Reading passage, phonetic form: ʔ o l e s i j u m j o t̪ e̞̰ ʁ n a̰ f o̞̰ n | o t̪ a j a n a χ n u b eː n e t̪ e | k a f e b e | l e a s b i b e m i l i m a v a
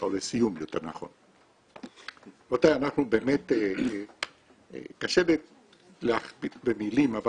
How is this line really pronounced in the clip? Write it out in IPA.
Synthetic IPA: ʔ o l e s i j u m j o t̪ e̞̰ ʁ n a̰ χ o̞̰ n | o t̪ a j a n a χ n u b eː m e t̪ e | k a ʃ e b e | l e a χ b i b e m i l i m a v a